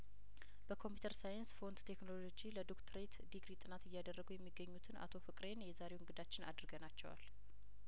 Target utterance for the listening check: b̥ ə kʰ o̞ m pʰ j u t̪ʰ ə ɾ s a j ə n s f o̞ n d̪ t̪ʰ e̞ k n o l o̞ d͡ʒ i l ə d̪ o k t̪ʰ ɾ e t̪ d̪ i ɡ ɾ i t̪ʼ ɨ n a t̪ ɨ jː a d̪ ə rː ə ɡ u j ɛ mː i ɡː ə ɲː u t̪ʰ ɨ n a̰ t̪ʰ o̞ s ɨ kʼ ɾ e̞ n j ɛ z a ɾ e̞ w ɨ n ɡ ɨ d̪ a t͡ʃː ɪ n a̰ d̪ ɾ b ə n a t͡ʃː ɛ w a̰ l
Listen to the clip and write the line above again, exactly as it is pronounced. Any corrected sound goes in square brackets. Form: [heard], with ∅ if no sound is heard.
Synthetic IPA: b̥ ə kʰ o̞ m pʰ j u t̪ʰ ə ɾ s a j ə n s f o̞ n d̪ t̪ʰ e̞ k n o l o̞ d͡ʒ i l ə d̪ o k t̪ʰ ɾ e t̪ d̪ i ɡ ɾ i t̪ʼ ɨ n a t̪ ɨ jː a d̪ ə rː ə ɡ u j ɛ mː i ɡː ə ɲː u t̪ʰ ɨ n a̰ t̪ʰ o̞ [f] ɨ kʼ ɾ e̞ n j ɛ z a ɾ e̞ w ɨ [ŋ] ɡ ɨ d̪ a t͡ʃː ɪ n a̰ d̪ ɾ [ɡ] ə n a t͡ʃː ɛ w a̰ l